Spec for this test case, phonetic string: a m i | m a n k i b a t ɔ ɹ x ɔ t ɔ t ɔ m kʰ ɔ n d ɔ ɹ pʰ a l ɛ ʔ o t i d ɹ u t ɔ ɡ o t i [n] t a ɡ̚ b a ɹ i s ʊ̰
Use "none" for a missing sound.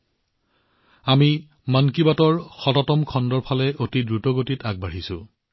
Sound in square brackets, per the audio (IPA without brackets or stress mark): none